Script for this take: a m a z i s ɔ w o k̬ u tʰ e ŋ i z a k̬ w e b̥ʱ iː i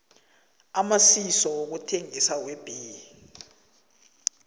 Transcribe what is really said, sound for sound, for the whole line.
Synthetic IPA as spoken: a m a s i s ɔ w o k̬ u tʰ e ŋ i s a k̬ w e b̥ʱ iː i